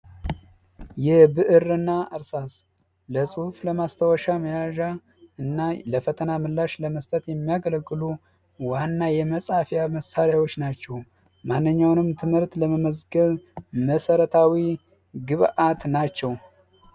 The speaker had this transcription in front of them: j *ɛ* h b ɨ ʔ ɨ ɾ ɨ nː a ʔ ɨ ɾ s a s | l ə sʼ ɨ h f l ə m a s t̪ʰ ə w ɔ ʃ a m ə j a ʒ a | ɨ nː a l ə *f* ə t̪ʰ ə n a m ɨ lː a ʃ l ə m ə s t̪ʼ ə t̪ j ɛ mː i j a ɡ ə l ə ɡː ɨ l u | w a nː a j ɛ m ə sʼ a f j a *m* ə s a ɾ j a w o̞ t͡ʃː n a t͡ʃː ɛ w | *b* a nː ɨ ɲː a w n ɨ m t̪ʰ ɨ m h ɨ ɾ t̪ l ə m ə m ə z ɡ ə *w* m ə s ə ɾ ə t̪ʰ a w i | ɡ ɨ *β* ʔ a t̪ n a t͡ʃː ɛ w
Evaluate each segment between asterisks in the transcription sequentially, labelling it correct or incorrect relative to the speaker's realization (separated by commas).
correct, correct, correct, incorrect, incorrect, correct